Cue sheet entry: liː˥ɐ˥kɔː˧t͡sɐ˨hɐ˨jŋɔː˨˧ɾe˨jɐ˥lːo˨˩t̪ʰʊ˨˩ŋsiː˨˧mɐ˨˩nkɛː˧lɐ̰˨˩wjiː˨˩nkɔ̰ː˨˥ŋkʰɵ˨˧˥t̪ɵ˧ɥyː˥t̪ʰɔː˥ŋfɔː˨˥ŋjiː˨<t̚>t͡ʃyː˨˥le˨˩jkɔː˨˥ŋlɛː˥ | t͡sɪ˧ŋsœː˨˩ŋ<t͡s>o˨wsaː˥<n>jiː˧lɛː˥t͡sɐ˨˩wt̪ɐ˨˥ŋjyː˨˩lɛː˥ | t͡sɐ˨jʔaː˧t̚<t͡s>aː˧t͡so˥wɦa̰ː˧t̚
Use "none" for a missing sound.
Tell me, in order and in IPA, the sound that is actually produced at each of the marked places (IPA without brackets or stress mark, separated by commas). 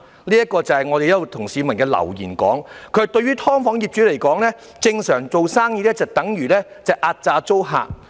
p̚, t͡s, ŋ, t͡s